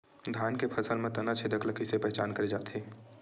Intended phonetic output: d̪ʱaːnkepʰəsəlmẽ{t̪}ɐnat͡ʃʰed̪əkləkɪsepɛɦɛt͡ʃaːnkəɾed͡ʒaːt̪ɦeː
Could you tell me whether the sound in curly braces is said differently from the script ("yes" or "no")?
no